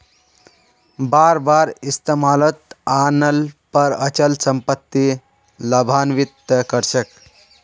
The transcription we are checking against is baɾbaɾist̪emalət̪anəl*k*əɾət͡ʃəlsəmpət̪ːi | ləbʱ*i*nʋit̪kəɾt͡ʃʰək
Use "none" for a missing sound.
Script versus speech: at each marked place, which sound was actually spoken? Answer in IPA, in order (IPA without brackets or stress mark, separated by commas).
p, a